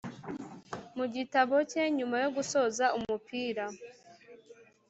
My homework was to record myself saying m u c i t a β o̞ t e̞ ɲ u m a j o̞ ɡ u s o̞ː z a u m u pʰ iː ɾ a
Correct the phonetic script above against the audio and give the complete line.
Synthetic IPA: m u ɟ i t a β o̞ c e̞ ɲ u m a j o̞ ɡ u s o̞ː z a u m u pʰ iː ɾ a